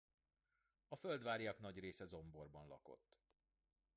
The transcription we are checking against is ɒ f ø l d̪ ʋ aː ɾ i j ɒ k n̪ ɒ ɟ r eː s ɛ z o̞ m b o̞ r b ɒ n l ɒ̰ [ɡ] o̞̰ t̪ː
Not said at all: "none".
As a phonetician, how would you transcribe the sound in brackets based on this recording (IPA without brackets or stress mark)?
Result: k